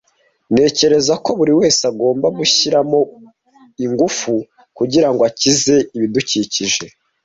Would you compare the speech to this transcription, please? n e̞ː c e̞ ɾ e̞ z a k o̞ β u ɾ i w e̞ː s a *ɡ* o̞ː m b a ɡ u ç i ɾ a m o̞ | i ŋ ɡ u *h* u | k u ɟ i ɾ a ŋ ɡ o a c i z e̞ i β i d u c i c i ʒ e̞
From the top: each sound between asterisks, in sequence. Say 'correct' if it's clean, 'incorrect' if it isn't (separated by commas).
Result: correct, incorrect